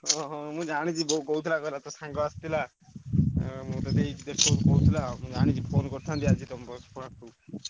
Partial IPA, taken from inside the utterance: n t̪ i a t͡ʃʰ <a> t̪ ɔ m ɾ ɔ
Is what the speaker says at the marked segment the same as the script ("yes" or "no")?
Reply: no